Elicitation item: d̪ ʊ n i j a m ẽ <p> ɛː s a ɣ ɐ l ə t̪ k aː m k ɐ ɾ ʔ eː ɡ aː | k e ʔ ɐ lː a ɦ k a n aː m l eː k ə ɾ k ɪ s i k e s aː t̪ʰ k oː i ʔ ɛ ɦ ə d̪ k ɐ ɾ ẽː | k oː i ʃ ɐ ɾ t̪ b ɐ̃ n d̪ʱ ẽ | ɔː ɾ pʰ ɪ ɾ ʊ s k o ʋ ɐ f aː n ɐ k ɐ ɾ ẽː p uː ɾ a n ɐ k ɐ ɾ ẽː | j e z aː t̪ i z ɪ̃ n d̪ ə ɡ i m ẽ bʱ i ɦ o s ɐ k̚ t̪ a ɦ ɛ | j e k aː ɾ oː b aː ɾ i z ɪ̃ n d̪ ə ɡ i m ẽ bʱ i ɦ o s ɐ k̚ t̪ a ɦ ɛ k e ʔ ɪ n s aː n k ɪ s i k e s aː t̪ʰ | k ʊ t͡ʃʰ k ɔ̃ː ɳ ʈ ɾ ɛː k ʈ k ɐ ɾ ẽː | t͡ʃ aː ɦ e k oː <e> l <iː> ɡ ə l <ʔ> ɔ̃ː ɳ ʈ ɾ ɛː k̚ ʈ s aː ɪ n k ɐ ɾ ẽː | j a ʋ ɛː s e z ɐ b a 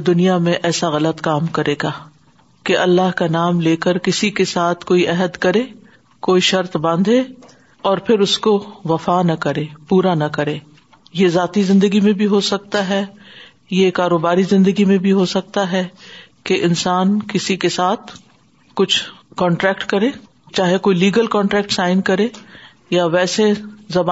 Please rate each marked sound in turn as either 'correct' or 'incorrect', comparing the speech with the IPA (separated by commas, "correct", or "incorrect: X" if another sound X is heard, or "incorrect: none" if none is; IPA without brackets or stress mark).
incorrect: ʔ, incorrect: i, correct, incorrect: k